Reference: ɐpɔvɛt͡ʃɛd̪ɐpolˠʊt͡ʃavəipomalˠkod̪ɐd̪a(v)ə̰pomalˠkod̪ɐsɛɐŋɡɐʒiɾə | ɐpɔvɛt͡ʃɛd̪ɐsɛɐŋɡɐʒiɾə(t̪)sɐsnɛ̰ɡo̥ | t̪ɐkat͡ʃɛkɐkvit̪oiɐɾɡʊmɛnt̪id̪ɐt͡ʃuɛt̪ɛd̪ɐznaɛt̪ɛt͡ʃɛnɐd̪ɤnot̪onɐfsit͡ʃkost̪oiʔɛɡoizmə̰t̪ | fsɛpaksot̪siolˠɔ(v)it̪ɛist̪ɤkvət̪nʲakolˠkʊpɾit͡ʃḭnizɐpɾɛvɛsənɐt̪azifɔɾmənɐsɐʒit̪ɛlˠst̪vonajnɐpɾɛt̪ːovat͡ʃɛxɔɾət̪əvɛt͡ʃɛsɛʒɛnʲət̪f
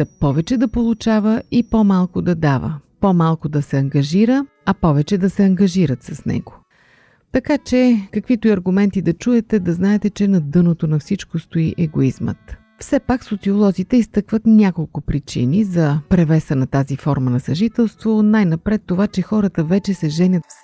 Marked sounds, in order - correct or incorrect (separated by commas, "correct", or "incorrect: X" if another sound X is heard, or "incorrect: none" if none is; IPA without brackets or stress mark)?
correct, correct, incorrect: z